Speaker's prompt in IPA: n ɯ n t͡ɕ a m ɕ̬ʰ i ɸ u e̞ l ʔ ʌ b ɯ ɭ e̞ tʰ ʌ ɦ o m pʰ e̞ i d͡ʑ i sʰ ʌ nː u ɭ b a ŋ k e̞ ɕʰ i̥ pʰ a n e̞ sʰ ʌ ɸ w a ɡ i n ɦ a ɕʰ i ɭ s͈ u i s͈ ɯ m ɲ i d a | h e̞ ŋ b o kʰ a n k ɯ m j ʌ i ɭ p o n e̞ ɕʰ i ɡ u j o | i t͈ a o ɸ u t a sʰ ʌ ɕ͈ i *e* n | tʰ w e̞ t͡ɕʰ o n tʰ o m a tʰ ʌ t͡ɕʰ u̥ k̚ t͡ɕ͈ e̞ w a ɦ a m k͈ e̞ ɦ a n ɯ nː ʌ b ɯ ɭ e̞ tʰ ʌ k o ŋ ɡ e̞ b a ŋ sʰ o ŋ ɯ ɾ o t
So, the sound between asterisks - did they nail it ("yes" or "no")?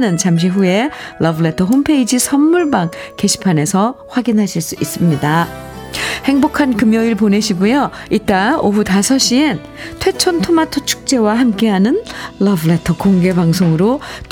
yes